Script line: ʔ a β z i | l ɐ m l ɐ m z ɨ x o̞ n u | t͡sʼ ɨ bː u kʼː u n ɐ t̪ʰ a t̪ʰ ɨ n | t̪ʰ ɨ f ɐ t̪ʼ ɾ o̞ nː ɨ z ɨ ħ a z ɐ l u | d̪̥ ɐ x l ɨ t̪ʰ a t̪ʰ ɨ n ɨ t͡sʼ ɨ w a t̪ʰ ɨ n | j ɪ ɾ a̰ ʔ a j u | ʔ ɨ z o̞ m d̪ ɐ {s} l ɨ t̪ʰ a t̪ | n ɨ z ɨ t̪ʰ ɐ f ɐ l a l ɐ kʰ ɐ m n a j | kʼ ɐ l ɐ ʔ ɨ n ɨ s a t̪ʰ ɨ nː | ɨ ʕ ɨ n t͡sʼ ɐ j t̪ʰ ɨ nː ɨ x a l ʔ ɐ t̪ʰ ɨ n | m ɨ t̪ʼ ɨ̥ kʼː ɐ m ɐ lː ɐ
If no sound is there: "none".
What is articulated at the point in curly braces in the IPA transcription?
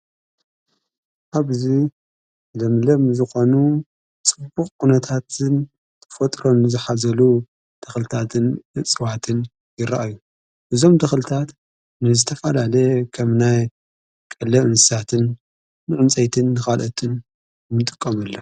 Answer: x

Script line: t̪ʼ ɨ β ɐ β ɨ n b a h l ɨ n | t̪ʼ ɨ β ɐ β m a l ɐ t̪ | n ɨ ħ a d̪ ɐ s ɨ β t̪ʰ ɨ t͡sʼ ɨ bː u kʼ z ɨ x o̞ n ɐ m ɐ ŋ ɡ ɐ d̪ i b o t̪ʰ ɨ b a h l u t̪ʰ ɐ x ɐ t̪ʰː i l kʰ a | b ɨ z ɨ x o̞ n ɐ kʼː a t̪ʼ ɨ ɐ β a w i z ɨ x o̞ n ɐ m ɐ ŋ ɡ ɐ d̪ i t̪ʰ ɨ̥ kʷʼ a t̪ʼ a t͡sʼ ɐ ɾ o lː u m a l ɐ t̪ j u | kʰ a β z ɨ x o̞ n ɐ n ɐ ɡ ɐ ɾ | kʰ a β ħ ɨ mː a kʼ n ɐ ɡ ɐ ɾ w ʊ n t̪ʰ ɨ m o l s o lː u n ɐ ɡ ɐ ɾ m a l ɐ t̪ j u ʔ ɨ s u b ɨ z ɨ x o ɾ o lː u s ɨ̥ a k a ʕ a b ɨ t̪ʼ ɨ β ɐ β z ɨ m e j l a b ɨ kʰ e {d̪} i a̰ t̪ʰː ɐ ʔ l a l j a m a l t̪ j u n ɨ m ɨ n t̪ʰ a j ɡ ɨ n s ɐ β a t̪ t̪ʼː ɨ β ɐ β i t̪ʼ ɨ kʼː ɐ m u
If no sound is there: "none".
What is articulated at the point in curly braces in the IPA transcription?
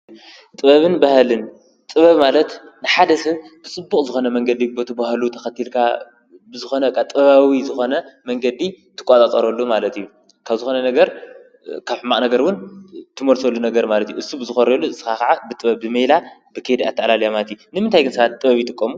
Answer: d̪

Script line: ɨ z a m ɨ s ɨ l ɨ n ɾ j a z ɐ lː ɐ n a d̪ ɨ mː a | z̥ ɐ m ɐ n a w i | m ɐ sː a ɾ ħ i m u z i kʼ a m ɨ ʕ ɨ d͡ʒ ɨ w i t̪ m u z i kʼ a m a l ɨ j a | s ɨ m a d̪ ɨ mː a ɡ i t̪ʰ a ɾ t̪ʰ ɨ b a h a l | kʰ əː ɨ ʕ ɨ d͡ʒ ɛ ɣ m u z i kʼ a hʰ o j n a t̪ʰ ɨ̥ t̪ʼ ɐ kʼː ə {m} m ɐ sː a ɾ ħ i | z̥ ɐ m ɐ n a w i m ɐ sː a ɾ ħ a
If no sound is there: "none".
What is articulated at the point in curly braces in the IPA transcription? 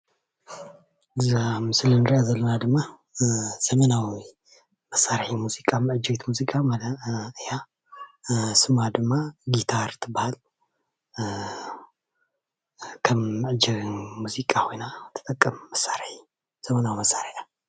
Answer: m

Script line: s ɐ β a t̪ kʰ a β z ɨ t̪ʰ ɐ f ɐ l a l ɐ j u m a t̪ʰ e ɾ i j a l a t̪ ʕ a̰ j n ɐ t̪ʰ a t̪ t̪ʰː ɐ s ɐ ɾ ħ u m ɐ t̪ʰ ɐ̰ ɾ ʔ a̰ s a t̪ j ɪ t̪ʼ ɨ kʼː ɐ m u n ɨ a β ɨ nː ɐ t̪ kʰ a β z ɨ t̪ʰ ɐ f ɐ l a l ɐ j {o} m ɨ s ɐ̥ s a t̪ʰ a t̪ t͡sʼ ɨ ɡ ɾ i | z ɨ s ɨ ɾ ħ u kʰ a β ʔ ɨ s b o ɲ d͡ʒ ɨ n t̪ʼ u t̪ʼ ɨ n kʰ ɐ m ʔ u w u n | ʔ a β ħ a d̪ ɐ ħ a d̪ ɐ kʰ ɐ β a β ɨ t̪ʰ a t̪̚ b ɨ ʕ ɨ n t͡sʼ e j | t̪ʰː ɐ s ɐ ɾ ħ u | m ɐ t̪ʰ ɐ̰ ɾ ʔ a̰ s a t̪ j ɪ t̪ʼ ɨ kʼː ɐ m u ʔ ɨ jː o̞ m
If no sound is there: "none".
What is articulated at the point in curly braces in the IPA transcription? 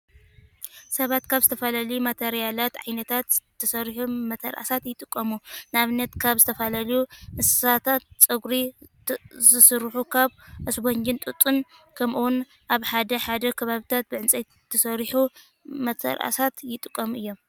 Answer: u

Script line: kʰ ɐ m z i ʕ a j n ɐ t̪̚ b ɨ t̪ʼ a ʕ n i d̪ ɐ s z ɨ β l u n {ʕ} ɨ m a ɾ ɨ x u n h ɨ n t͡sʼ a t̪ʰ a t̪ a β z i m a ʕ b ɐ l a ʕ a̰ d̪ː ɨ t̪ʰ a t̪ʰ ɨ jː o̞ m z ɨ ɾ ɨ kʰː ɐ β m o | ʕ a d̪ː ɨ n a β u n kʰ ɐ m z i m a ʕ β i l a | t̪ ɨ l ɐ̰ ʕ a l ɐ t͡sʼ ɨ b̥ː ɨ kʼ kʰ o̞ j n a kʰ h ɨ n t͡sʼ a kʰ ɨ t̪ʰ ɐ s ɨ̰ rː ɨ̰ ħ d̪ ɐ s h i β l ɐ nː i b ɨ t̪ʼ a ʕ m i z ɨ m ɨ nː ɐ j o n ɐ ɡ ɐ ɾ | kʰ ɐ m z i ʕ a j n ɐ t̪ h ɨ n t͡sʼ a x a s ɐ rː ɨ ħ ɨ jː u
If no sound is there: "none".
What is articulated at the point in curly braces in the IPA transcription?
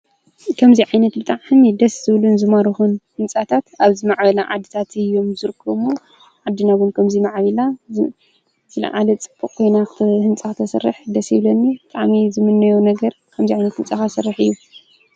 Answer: z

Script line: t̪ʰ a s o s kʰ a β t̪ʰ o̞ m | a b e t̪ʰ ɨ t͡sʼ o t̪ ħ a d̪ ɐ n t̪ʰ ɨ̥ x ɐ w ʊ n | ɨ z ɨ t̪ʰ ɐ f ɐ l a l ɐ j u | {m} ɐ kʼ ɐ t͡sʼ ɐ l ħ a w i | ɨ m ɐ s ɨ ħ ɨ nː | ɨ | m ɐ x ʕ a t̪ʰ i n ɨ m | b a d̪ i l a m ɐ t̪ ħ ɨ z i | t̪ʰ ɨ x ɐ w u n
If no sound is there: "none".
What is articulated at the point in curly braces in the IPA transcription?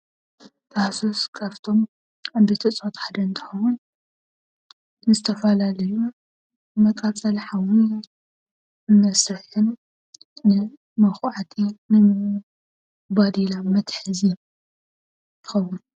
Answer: m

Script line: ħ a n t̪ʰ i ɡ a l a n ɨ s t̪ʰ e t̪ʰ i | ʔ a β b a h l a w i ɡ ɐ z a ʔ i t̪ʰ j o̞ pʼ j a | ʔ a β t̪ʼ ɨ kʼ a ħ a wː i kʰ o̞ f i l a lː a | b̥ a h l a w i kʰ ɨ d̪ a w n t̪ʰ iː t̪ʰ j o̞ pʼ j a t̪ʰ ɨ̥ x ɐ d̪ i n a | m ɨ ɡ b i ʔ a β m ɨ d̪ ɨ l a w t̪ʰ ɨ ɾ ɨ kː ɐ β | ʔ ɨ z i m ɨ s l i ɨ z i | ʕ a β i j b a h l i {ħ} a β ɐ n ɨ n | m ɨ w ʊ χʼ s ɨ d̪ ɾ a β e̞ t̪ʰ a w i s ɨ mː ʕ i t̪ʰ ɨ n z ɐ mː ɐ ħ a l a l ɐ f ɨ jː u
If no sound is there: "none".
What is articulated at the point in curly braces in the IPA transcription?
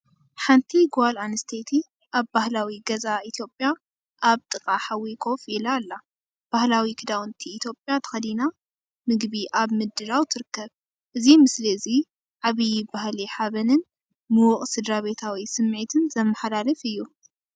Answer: ħ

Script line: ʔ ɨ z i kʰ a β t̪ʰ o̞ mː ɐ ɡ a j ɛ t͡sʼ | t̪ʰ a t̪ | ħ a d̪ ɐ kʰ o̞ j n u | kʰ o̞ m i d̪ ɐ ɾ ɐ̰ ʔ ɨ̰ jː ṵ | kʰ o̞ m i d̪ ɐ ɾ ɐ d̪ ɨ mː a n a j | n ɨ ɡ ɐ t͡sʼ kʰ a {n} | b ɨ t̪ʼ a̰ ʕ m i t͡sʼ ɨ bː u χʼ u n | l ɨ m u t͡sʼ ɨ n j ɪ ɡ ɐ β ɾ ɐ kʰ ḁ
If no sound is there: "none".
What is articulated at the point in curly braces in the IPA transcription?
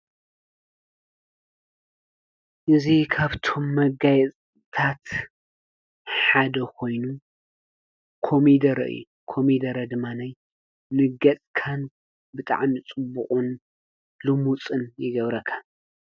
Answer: n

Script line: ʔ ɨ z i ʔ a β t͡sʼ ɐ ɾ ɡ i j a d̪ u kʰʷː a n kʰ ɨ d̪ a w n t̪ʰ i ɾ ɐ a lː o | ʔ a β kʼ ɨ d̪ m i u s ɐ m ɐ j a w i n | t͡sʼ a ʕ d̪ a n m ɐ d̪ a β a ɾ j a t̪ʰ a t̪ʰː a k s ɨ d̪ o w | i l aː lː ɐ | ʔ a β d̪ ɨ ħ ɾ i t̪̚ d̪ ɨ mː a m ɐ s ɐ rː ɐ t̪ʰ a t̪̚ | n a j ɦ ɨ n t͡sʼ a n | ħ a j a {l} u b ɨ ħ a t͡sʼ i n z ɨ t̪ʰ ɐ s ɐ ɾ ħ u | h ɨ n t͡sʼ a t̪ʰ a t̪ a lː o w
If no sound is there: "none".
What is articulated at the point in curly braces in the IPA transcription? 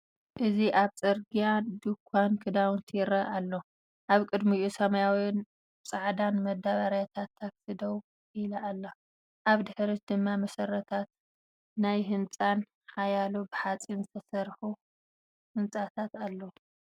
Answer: l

